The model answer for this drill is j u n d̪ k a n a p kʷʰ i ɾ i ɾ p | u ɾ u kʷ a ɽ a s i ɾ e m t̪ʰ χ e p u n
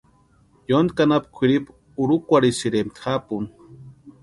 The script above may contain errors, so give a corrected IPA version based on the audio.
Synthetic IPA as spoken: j o n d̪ k a n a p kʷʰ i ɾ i p | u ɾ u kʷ a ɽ i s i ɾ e m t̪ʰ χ a p u n